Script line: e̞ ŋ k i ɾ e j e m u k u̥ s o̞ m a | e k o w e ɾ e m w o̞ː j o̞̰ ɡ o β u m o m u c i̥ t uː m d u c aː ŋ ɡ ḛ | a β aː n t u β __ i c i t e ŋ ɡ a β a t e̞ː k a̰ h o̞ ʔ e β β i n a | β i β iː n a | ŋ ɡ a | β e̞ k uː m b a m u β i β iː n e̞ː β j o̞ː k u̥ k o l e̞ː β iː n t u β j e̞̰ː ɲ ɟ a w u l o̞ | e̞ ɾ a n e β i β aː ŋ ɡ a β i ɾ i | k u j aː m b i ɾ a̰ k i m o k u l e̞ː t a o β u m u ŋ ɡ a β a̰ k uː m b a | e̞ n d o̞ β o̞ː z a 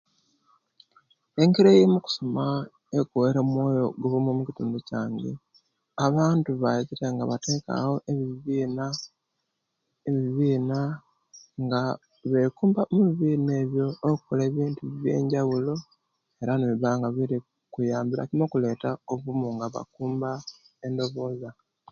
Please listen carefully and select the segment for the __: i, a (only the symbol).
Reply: a